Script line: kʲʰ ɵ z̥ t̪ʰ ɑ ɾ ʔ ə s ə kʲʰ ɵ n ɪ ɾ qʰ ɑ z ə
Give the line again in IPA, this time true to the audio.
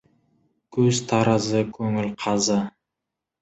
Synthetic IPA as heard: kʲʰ ɵ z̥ t̪ʰ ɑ ɾ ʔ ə z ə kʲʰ ɵ ŋ ɪ l qʰ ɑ z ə

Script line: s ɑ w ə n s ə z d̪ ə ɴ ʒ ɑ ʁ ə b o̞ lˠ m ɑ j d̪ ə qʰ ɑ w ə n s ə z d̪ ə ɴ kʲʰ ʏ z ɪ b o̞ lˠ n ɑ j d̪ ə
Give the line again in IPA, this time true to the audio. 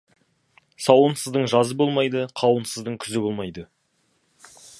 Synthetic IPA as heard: s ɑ w ə n s ə z d̪ ə ɴ ʒ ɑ z ə b o̞ lˠ m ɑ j d̪ ə qʰ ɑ w ə n s ə z d̪ ə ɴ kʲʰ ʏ z ɪ b o̞ lˠ m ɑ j d̪ ə

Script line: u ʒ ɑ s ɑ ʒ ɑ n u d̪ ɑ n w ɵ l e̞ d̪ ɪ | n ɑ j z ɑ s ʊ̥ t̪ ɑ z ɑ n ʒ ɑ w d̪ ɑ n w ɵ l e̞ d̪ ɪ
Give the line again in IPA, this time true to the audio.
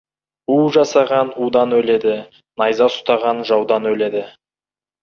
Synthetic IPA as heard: u ʒ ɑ s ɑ ʁ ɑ n u d̪ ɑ n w ɵ l e̞ d̪ ɪ | n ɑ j z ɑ s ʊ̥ t̪ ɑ ʁ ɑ n ʒ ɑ w d̪ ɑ n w ɵ l e̞ d̪ ɪ

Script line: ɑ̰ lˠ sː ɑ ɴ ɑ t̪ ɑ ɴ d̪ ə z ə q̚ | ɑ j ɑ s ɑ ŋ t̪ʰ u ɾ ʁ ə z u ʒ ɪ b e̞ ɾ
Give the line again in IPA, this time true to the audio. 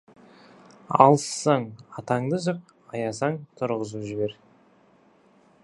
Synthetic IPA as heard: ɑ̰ lˠ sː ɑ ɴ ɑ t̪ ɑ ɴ d̪ ə ʒ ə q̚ | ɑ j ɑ s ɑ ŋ t̪ʰ ʊ ɾ ʁ ə z u ʒ ɪ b e̞ ɾ

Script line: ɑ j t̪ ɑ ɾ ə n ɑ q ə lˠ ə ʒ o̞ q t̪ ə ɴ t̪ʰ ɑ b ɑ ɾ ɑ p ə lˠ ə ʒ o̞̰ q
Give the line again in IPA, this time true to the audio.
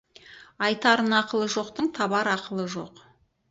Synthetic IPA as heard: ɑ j t̪ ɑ ɾ ə n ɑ q ə lˠ ə ʒ o̞ q t̪ ə ɴ t̪ʰ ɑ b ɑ ɾ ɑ q ə lˠ ə ʒ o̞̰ q

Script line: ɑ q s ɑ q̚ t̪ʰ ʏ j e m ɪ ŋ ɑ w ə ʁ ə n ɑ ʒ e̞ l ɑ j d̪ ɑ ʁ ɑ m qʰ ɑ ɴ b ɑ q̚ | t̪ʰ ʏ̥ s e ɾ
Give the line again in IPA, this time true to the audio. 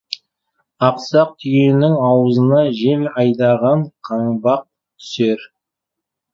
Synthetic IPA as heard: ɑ q s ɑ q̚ t̪ʰ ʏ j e n ɪ ŋ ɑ w ə z ə n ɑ ʒ e̞ l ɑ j d̪ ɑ ʁ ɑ ɴ qʰ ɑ ɴ b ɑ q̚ | t̪ʰ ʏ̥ s e ɾ

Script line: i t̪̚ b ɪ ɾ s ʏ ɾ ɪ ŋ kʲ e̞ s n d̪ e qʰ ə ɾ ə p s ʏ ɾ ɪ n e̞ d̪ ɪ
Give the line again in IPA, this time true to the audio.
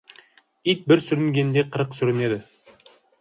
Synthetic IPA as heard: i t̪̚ b ɪ ɾ s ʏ ɾ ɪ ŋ ɡʲ e̞ n d̪ e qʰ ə ɾ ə q s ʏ ɾ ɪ n e̞ d̪ ɪ

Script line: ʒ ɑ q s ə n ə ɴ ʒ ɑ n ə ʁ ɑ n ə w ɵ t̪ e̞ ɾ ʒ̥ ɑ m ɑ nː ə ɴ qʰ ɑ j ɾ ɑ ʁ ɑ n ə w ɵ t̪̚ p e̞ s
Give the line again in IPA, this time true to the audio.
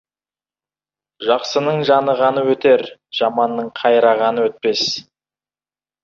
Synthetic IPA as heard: ʒ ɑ q s ə n ə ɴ ʒ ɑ n ə ʁ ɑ n ə w ɵ t̪ e̞ ɾ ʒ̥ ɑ m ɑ nː ə ɴ qʰ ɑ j ɾ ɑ ʁ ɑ n ə w ɵ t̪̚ p e̞ s

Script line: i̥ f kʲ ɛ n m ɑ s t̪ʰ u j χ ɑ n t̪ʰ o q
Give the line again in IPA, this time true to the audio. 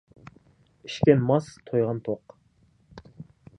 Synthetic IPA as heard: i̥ ʃ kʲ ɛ n m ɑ s t̪ʰ o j ʁ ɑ n t̪ʰ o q

